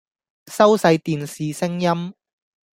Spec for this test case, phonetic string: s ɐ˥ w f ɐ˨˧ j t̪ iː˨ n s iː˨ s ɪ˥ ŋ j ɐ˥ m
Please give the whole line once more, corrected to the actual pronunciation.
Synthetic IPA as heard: s ɐ˥ w s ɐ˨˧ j t̪ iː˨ n s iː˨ s ɪ˥ ŋ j ɐ˥ m

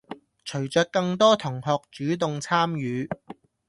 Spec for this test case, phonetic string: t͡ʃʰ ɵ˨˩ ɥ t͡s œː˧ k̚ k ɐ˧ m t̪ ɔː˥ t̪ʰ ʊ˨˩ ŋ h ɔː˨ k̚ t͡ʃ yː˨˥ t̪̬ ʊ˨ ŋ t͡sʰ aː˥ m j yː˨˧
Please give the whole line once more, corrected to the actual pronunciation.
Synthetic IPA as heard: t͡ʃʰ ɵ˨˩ ɥ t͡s œː˧ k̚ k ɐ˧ ŋ t̪ ɔː˥ t̪ʰ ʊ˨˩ ŋ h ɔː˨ k̚ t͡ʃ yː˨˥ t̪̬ ʊ˨ ŋ t͡sʰ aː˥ m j yː˨˧

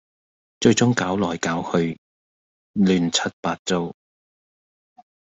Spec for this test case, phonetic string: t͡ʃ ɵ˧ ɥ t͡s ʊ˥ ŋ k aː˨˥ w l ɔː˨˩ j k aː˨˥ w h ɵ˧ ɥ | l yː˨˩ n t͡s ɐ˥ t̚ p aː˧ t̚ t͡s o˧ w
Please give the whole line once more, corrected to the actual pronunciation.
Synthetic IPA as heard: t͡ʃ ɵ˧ ɥ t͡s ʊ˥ ŋ k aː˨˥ w l ɔː˨˩ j k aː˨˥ w h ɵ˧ ɥ | l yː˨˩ n t͡sʰ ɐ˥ t̚ p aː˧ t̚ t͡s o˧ w

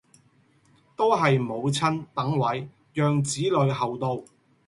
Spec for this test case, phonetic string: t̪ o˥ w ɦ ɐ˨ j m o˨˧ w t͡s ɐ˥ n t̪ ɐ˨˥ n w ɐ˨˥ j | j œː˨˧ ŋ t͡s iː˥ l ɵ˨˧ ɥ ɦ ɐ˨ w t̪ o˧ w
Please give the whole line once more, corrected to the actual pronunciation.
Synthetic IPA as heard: t̪ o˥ w ɦ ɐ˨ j m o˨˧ w t͡sʰ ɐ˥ n t̪ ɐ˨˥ ŋ w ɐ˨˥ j | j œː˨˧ ŋ t͡s iː˨˥ l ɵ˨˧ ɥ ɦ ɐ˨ w t̪ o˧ w

